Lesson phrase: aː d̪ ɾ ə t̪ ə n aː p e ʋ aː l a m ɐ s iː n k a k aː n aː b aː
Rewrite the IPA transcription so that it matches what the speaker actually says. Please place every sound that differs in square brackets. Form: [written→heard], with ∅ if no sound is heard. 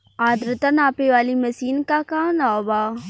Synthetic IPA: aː d̪ ɾ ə t̪ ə n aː p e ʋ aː l [a→i] m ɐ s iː n k a k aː n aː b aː